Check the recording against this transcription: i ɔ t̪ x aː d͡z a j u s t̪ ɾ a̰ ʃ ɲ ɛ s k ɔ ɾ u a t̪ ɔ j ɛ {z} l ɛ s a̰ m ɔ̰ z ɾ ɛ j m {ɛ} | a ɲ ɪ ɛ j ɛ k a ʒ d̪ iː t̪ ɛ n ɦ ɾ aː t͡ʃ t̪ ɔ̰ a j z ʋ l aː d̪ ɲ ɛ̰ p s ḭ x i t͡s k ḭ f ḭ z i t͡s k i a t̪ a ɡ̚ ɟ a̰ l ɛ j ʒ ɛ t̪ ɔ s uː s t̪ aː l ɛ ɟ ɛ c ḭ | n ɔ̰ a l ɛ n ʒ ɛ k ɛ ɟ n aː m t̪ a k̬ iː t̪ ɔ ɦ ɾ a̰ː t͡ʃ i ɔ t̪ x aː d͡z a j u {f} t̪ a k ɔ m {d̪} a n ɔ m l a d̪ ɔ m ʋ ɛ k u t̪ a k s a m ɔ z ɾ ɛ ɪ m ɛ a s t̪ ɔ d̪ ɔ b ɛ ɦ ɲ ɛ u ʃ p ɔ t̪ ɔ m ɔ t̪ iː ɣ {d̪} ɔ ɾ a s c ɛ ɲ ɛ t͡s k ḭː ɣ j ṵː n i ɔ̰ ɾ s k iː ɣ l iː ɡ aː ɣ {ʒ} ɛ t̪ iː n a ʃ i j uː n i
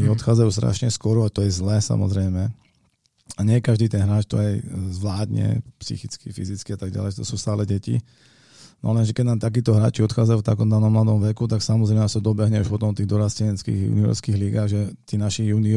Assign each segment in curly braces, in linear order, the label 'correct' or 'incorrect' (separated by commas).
correct, correct, correct, correct, correct, correct